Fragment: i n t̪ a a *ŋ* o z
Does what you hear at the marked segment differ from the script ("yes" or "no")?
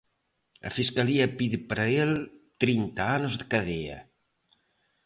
yes